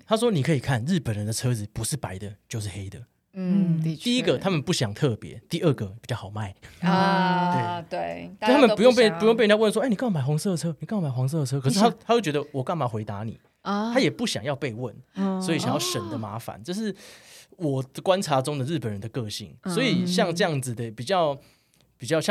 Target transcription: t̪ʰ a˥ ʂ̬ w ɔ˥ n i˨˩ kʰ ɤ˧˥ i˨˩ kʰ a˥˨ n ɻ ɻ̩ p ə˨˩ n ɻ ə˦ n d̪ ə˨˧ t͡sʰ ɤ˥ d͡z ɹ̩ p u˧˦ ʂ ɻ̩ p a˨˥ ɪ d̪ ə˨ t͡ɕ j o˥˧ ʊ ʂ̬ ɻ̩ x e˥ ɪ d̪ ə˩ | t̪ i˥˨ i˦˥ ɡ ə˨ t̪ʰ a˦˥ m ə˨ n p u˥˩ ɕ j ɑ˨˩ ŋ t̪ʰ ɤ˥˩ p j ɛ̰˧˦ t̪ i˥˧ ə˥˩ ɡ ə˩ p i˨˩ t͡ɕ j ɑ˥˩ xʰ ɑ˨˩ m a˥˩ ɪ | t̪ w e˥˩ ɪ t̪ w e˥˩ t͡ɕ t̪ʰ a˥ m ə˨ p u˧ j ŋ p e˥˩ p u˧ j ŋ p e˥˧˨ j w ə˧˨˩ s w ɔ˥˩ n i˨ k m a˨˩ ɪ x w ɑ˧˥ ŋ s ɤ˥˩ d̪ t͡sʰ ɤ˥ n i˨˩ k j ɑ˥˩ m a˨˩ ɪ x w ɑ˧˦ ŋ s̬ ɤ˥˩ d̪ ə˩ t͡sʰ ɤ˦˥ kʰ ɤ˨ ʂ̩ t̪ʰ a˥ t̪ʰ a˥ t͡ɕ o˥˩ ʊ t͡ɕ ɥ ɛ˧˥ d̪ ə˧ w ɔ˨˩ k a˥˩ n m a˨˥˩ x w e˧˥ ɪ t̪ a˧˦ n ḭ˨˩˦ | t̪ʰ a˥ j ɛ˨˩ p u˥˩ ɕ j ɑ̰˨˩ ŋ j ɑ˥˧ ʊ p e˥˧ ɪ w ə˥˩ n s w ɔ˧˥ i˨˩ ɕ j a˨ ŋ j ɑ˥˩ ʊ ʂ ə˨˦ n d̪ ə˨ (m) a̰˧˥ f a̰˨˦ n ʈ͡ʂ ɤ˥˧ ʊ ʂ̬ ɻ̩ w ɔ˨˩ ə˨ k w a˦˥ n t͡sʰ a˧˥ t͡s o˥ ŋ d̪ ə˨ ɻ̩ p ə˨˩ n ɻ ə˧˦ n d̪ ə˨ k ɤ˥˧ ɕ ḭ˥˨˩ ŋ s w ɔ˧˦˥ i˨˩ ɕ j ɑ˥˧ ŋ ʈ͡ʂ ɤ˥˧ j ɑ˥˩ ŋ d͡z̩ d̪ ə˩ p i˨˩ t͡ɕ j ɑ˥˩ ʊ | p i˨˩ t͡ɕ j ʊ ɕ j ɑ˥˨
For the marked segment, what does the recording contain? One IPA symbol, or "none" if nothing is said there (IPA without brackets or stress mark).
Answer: m